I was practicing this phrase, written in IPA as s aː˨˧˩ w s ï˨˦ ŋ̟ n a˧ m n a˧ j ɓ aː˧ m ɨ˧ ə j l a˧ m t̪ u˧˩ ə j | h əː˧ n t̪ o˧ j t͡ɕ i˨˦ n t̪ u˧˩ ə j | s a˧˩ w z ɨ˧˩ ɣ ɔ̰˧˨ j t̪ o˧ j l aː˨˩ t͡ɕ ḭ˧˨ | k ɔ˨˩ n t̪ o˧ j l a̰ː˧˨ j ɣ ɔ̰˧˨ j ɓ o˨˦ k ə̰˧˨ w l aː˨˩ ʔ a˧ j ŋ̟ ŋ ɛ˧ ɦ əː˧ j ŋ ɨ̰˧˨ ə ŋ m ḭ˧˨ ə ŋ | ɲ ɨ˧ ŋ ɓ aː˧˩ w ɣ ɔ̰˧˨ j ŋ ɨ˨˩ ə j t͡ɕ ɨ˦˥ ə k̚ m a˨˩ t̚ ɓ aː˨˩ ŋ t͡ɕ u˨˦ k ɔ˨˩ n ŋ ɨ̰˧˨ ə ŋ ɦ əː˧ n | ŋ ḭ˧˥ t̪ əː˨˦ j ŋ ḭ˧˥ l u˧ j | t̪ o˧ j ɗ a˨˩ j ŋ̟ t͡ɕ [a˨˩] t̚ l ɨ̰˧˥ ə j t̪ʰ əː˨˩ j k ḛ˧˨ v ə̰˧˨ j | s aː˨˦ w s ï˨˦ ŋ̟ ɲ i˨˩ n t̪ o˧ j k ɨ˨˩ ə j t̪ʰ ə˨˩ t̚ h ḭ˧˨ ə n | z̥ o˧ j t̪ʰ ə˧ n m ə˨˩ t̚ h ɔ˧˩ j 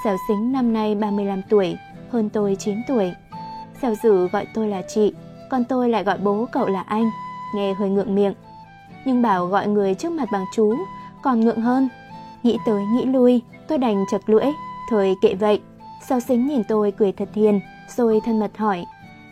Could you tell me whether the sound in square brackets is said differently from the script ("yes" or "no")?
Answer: yes